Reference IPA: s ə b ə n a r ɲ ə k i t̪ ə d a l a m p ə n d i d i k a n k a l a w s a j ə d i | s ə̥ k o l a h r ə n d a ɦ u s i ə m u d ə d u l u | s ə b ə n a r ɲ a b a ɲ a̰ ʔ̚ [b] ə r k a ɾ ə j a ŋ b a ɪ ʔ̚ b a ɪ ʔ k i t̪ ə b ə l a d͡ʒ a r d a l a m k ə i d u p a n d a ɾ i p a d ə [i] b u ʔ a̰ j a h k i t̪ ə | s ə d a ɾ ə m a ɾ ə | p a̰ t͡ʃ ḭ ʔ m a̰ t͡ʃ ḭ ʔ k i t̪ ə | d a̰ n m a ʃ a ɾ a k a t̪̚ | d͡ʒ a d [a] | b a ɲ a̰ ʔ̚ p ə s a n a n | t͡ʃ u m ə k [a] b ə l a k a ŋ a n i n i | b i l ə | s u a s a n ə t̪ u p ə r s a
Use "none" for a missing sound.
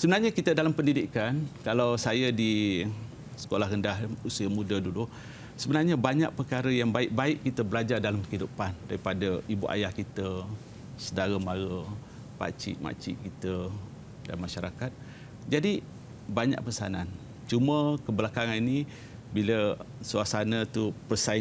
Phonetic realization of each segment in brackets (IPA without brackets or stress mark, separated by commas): p, i, i, ə